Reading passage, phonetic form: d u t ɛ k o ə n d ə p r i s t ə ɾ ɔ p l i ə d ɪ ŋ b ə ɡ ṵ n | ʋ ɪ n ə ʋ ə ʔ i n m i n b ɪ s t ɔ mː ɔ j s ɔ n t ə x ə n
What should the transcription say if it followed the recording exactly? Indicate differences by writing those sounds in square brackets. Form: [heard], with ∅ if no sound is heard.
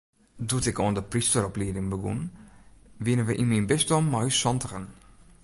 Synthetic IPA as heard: d u t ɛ k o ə n d ə p r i s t ə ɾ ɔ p l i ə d ɪ ŋ b ə ɡ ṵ n | ʋ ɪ n ə ʋ ə ʔ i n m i n b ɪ s t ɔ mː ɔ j s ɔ n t ə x ə n